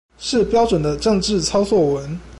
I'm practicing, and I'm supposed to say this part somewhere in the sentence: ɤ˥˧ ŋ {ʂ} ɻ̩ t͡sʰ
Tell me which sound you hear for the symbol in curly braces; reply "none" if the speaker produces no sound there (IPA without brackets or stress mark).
ʈ͡ʂ